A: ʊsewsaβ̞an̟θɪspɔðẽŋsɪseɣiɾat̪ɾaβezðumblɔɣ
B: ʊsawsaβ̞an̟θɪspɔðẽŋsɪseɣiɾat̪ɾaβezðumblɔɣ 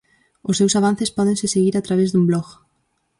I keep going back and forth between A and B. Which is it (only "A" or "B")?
A